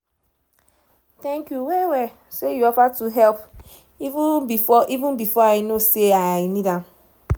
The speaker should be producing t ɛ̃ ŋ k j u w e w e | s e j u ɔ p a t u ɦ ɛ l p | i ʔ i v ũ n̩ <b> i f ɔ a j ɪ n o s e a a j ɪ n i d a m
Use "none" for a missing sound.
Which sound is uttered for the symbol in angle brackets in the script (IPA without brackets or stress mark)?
b